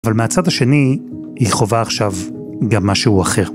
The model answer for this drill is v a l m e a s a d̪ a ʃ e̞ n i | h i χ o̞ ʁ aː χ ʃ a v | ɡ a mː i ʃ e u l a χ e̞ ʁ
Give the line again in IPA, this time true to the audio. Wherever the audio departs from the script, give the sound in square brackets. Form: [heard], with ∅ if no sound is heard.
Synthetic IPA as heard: v a l m e a [t͡s] a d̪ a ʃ e̞ n i | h i χ o̞ [v] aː χ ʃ a v | ɡ a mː [a] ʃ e u [∅] a χ e̞ ʁ